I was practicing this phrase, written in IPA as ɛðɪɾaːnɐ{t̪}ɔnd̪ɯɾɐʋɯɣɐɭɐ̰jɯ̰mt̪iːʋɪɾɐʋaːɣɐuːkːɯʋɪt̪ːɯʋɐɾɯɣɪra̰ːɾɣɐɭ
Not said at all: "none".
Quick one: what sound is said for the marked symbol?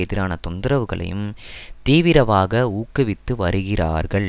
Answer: t̪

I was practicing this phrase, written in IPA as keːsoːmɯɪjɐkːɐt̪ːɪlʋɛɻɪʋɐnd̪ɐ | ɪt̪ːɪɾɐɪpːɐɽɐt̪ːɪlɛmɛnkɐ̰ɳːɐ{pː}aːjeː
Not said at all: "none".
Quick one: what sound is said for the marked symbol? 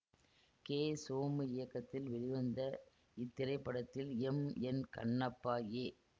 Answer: pː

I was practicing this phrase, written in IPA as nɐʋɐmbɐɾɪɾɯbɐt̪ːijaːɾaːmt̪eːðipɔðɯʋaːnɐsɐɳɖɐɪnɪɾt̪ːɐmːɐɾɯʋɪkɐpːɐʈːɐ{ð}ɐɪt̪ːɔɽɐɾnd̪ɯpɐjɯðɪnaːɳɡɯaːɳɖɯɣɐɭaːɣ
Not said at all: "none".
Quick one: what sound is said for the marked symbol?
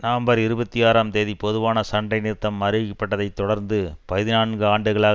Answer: ð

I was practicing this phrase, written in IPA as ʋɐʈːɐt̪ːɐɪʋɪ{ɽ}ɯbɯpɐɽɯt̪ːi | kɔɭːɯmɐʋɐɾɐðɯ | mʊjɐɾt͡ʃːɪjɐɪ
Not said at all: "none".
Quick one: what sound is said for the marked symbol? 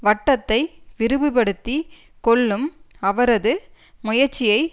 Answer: ɾ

